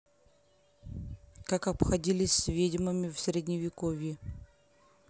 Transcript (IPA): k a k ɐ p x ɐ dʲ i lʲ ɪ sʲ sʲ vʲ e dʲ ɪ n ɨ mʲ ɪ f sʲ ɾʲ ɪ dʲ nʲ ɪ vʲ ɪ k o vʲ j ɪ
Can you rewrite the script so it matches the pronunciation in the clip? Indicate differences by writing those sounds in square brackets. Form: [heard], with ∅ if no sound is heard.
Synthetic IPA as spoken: k a k ɐ p x ɐ dʲ i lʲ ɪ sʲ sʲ vʲ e dʲ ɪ [m] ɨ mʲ ɪ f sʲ ɾʲ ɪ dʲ nʲ ɪ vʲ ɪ k o vʲ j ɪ